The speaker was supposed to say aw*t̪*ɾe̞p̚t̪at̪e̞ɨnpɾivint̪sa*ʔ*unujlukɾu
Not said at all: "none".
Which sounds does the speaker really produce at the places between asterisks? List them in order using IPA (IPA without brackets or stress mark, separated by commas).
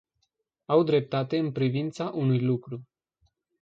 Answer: d̪, ʔ